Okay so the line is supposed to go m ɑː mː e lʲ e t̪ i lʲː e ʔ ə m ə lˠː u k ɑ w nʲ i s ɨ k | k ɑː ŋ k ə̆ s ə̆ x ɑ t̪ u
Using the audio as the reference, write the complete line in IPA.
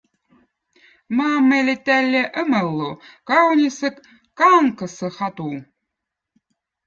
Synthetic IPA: m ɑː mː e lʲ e t̪ æ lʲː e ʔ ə m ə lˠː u k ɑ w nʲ i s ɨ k | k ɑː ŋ k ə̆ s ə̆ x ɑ t̪ u

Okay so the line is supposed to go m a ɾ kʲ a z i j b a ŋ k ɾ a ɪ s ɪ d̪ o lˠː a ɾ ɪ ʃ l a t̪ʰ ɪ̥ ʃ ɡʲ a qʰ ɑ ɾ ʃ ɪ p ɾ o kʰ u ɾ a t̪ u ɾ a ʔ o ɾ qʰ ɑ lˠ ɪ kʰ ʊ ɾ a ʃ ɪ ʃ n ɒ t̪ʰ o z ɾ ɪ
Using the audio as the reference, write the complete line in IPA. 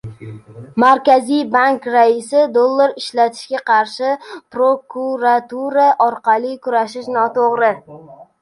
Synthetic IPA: m a ɾ kʲ a z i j b a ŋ k ɾ a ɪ s ɪ d̪ o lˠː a ɾ ɪ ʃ l a t̪ʰ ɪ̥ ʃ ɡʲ a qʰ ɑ ɾ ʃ ɪ p ɾ o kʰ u ɾ a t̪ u ɾ a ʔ ɒ ɾ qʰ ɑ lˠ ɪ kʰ ʊ ɾ a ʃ ɪ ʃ n ɒ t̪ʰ o ʁ ɾ ɪ

